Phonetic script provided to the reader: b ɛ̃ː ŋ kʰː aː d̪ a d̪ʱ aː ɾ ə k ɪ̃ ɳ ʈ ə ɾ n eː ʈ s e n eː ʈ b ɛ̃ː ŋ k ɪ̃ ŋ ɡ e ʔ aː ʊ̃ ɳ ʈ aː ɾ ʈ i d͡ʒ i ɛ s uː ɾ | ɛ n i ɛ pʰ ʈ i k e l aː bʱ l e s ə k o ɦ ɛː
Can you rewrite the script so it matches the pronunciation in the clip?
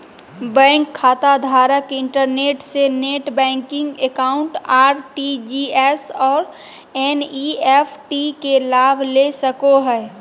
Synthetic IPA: b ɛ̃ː ŋ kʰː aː t̪ a d̪ʱ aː ɾ ə k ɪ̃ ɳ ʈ ə ɾ n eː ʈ s e n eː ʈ b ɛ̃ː ŋ k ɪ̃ ŋ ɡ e k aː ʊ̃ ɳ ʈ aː ɾ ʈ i d͡ʒ i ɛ s ɔː ɾ | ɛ n i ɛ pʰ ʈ i k e l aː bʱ l e s ə k o ɦ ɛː

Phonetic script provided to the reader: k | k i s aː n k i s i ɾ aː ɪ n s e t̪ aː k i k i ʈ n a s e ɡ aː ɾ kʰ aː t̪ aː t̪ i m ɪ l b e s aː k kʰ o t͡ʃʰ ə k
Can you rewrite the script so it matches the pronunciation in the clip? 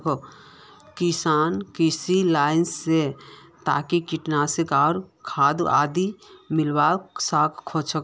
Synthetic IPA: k | k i s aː n k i s i l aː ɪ n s e t̪ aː k i k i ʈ n a s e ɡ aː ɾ kʰ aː d̪ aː d̪ i m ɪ l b a s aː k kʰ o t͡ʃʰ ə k

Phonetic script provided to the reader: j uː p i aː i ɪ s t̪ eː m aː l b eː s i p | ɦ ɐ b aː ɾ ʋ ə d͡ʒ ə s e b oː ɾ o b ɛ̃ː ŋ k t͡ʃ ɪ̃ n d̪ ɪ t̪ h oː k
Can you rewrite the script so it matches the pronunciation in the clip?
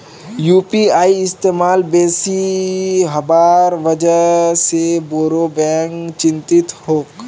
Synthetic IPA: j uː p i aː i ɪ s t̪ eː m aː l b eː s i | ɦ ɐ b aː ɾ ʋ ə d͡ʒ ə s e b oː ɾ o b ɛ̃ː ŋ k t͡ʃ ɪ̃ n t̪ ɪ t̪ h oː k

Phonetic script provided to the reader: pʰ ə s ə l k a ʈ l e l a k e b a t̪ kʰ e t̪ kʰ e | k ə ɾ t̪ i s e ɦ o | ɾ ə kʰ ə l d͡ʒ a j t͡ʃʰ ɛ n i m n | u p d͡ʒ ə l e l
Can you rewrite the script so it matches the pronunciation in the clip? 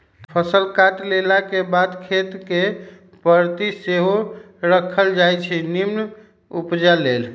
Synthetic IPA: pʰ ə s ə l k a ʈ l e l a k e b a d̪ kʰ e t̪ k e | p ə ɾ t̪ i s e ɦ o | ɾ ə kʰ ə l d͡ʒ a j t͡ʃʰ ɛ n i m n | u p d͡ʒ a l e l

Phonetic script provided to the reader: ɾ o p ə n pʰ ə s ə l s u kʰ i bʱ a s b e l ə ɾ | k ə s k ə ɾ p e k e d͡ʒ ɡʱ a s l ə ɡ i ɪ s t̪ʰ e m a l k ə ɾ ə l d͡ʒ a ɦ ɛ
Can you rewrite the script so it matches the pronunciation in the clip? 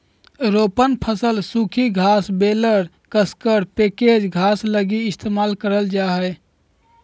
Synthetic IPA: ɾ o p ə n pʰ ə s ə l s u kʰ i ɡʱ a s b e l ə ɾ | k ə s k ə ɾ p e k e d͡ʒ ɡʱ a s l ə ɡ i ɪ s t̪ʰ e m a l k ə ɾ ə l d͡ʒ a ɦ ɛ

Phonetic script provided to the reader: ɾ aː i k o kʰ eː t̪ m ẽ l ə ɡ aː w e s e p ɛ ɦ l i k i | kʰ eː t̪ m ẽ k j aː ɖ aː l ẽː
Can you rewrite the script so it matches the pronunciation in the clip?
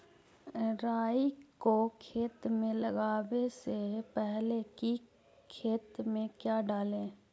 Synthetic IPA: ɾ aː i k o kʰ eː t̪ m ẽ l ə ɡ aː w e s e p ɛ ɦ l e k i | kʰ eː t̪ m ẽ k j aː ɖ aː l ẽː

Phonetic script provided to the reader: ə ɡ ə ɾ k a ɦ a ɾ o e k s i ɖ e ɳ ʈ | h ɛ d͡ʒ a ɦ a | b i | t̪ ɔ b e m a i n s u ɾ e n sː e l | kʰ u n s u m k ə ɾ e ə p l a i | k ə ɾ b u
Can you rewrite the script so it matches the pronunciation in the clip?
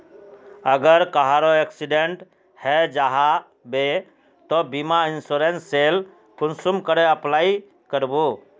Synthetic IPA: ə ɡ ə ɾ k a ɦ a ɾ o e k s i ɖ e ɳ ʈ | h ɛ d͡ʒ a ɦ a | b e | t̪ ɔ b i m a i n s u ɾ e n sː e l | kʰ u n s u m k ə ɾ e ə p l a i | k ə ɾ b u

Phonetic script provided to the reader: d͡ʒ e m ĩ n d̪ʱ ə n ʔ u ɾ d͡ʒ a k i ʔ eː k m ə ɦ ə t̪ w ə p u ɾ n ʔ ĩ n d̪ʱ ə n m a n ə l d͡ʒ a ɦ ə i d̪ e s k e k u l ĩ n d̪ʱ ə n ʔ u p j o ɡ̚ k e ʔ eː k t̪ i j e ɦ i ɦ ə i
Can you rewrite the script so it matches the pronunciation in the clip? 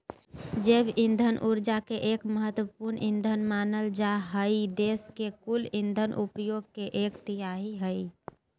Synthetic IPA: d͡ʒ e b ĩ n d̪ʱ ə n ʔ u ɾ d͡ʒ a k e ʔ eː k m ə ɦ ə t̪ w ə p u ɾ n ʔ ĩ n d̪ʱ ə n m a n ə l d͡ʒ a ɦ ə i d̪ e s k e k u l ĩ n d̪ʱ ə n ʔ u p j o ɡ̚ k e ʔ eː k t̪ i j a ɦ i ɦ ə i

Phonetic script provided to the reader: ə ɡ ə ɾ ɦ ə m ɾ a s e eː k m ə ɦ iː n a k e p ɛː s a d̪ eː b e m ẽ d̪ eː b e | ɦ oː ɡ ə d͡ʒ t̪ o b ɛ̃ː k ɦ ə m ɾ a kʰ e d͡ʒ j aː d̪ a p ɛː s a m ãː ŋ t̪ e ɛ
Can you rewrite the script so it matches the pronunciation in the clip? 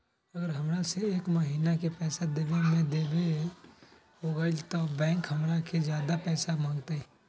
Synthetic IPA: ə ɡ ə ɾ ɦ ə m ɾ a s e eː k m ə ɦ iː n a k e p ɛː s a d̪ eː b e m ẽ d̪ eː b e | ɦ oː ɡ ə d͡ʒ t̪ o b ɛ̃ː k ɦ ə m ɾ a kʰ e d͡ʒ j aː d̪ a p ɛː s a m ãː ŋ t̪ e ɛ

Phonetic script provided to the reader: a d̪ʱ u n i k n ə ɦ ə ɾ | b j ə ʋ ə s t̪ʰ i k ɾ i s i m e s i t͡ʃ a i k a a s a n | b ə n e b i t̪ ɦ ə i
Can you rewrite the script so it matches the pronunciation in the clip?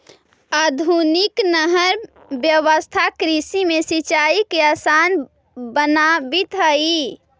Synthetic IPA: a d̪ʱ u n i k n ə ɦ ə ɾ | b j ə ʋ ə s t̪ʰ a k ɾ i s i m e s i t͡ʃ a i k e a s a n | b ə n a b i t̪ ɦ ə i

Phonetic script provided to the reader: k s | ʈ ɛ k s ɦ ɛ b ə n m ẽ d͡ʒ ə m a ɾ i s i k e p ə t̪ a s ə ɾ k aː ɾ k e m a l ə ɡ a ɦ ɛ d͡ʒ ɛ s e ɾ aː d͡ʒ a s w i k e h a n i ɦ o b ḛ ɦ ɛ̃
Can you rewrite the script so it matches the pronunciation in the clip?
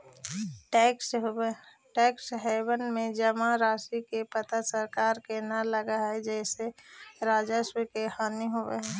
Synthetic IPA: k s | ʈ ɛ k s ɦ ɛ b ə n m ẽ d͡ʒ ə m a ɾ a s i k e p ə t̪ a s ə ɾ k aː ɾ k e n a l ə ɡ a ɦ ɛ d͡ʒ ɛ s e ɾ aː d͡ʒ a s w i k e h a n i ɦ o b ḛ ɦ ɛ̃

